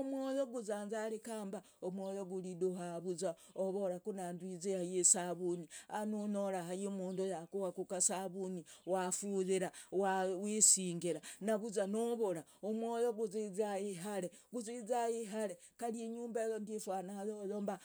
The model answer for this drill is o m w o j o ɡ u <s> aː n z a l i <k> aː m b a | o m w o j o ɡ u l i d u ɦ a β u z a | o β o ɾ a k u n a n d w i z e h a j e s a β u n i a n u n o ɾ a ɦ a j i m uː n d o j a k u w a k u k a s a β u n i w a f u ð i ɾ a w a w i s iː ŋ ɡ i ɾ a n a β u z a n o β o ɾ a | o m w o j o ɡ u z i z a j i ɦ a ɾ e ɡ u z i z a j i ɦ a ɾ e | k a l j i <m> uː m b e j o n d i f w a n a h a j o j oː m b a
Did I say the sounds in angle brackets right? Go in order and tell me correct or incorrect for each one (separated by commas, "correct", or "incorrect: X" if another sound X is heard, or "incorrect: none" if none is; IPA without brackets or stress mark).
incorrect: z, correct, incorrect: ɲ